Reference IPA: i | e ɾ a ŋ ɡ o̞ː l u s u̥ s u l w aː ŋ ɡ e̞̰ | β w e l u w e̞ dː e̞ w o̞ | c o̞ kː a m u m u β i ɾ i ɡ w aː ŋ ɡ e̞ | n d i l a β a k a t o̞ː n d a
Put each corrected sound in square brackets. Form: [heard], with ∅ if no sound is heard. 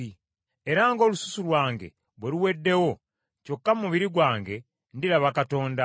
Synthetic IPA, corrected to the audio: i | e ɾ a ŋ ɡ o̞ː l u s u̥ s u l w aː ŋ ɡ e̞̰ | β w e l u w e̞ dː e̞ w o̞ | c o̞ kː a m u m u β i ɾ i ɡ w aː ŋ ɡ e̞ | n d i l a β a k a t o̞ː n d a